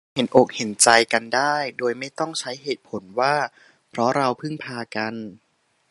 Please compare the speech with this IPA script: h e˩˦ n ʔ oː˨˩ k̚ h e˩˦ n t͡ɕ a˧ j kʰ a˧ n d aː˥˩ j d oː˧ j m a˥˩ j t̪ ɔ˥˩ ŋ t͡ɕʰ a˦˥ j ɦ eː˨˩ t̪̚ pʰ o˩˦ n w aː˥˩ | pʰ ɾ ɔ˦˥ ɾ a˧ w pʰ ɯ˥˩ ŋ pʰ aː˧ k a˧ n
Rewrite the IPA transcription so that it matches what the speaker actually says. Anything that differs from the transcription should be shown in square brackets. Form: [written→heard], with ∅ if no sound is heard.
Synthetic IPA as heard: h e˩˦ n ʔ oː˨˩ k̚ h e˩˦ n t͡ɕ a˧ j [kʰ→k] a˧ n d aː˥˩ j d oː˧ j m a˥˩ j t̪ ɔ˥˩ ŋ t͡ɕʰ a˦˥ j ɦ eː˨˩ t̪̚ pʰ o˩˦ n w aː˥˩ | pʰ ɾ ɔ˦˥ ɾ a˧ w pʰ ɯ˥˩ ŋ pʰ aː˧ k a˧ n